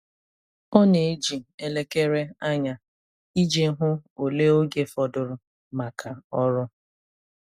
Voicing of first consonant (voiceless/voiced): voiced